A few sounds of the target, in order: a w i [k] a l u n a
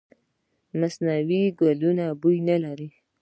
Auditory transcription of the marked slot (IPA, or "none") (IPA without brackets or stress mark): ɡ